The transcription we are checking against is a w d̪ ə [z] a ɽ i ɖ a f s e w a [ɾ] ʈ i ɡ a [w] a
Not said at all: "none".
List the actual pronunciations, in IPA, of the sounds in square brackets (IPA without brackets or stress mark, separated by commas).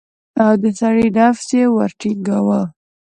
s, ɾ, w